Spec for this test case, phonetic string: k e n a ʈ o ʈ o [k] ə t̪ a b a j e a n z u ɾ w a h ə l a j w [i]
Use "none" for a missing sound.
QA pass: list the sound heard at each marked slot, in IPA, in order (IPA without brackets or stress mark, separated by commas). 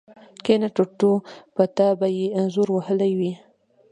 p, i